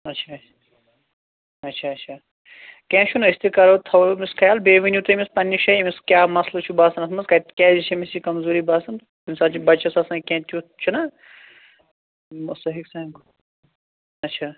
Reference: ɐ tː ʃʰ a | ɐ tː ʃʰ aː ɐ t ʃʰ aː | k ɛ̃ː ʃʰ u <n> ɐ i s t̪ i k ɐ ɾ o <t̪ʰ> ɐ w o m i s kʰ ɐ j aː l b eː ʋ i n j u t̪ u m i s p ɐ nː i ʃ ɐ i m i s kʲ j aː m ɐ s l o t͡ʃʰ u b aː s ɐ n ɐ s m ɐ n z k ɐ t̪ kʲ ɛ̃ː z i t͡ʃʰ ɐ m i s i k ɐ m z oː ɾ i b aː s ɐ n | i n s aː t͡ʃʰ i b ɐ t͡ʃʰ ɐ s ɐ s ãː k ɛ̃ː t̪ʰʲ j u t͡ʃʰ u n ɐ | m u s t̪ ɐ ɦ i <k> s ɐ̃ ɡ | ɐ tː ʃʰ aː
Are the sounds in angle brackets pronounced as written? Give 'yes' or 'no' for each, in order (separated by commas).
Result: yes, yes, yes